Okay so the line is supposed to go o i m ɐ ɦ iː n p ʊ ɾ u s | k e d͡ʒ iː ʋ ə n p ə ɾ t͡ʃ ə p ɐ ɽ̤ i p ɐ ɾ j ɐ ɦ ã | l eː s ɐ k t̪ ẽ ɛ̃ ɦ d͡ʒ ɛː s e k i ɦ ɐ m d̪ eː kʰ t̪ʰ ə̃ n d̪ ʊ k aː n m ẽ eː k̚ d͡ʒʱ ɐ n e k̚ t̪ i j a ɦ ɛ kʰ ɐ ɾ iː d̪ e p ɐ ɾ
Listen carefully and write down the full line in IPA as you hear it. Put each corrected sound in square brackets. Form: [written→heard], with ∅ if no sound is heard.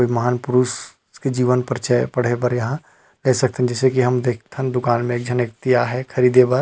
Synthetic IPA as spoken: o i m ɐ ɦ [iː→aː] n p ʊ ɾ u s | k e d͡ʒ iː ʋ ə n p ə ɾ t͡ʃ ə p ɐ ɽ̤ [i→e] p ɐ ɾ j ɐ ɦ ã | l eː s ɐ k t̪ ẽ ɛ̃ [ɦ→∅] d͡ʒ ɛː s e k i ɦ ɐ m d̪ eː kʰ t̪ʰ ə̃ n d̪ ʊ k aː n m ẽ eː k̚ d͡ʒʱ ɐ n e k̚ t̪ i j a ɦ ɛ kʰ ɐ ɾ iː d̪ e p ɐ ɾ